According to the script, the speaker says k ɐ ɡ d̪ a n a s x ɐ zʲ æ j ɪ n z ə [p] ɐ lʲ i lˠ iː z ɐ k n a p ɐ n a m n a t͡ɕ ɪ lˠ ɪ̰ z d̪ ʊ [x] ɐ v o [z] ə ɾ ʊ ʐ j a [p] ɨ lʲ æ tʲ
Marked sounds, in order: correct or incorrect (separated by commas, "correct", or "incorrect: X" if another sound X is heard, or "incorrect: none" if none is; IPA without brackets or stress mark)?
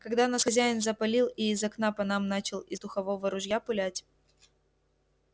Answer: correct, correct, incorrect: v, correct